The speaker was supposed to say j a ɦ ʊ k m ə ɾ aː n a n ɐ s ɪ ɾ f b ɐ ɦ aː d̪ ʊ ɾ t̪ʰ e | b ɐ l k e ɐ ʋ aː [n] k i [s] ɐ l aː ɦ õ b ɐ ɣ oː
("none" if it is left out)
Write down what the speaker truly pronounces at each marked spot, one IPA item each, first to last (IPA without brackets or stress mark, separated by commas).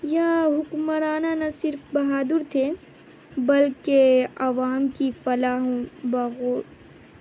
m, f